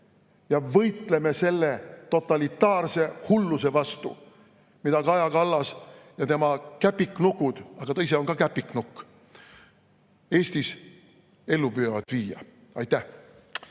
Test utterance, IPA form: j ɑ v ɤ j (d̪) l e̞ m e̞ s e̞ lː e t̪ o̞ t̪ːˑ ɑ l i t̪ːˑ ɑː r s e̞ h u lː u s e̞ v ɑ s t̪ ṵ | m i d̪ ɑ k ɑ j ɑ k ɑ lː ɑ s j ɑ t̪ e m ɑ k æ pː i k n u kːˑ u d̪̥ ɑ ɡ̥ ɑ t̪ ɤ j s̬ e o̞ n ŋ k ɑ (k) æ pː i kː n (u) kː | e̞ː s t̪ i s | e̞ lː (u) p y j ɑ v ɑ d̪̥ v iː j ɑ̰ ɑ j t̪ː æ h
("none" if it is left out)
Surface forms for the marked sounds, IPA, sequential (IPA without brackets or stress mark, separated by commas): t̪, k, u, u